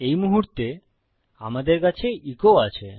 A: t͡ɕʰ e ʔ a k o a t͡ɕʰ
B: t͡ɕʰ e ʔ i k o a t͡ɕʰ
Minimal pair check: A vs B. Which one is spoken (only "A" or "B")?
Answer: B